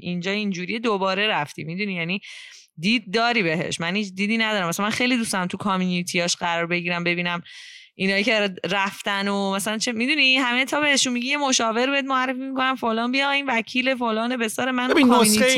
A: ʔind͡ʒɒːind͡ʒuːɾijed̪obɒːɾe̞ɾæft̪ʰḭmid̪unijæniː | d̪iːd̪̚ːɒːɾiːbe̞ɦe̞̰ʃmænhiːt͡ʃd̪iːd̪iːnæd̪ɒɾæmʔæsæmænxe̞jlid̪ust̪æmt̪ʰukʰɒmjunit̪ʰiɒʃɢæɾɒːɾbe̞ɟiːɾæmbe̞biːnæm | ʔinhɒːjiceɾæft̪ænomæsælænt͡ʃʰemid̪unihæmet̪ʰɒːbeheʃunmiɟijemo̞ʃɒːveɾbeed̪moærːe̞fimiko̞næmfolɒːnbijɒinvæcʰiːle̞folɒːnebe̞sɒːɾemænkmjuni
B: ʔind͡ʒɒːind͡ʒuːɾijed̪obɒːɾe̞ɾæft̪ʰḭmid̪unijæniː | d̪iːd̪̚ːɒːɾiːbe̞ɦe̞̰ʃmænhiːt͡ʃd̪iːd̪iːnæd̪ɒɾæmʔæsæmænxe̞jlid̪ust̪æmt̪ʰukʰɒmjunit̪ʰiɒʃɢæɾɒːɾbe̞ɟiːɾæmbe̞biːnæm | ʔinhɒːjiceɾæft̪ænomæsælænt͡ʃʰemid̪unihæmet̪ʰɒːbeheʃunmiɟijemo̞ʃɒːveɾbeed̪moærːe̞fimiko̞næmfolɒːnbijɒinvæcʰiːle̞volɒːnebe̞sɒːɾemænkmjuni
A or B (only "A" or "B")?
A